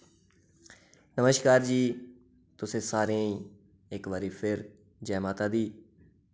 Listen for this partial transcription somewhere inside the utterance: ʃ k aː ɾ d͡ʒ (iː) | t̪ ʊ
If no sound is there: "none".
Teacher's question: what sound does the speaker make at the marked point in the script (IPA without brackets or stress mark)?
iː